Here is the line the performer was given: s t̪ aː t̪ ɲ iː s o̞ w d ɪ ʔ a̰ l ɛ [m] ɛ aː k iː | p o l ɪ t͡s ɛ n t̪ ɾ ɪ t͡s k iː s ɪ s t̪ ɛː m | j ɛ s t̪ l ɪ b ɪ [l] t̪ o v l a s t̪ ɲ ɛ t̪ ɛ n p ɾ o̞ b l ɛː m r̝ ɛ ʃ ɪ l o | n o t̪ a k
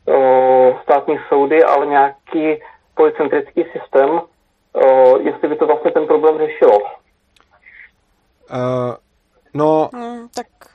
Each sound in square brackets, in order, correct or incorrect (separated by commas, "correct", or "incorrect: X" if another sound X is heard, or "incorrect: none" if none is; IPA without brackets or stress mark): incorrect: ɲ, incorrect: none